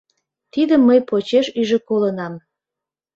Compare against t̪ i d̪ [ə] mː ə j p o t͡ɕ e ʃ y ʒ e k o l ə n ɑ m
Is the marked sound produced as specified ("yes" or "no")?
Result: yes